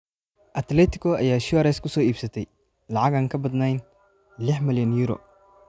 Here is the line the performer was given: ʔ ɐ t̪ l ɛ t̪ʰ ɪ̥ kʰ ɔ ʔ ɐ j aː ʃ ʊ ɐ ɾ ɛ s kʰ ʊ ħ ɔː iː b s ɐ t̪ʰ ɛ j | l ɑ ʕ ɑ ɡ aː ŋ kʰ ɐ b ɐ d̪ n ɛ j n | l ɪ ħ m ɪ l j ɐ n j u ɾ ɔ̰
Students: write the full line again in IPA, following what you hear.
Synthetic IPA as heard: ʔ ɐ t̪ l ɛ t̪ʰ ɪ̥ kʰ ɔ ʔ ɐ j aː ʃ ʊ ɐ ɾ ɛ s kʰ ʊ s ɔː iː b s ɐ t̪ʰ ɛ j | l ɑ ʕ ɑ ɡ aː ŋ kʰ ɐ b ɐ d̪ n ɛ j n | l ɪ ħ m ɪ l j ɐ n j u ɾ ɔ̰